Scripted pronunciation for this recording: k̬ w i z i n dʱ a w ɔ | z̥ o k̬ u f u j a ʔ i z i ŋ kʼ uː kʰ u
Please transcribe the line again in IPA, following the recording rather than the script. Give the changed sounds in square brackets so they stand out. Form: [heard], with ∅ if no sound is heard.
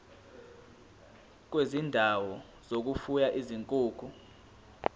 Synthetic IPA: k̬ w [e] z i n dʱ a w ɔ | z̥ o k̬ u f u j a ʔ i z i ŋ kʼ uː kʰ u